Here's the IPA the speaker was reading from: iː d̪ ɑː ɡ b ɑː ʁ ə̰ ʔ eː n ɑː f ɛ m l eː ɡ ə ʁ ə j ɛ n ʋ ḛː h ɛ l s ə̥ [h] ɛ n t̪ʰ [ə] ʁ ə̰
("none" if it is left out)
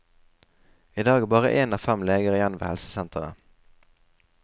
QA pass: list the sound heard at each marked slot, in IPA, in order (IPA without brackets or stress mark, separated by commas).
s, ə